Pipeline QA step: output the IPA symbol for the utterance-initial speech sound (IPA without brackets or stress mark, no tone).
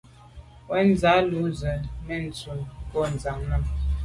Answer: w